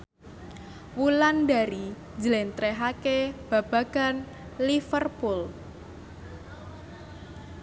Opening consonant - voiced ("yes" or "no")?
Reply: yes